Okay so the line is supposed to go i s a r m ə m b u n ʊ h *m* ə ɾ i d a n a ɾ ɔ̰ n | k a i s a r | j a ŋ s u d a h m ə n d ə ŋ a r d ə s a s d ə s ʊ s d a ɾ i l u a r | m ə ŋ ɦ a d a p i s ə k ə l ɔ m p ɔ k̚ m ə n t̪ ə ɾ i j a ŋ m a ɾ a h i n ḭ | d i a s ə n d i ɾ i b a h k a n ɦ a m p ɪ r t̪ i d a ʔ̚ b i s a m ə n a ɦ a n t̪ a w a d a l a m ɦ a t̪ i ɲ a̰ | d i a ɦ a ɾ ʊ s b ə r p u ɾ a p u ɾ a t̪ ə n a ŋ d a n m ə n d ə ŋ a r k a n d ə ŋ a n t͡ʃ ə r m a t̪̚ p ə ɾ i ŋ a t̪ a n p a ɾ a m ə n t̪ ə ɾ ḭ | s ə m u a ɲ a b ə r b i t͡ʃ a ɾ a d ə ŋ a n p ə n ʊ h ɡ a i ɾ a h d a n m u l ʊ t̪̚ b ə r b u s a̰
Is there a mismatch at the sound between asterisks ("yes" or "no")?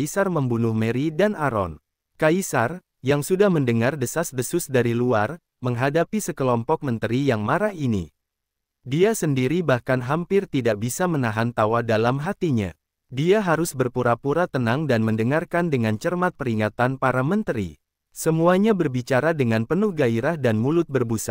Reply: no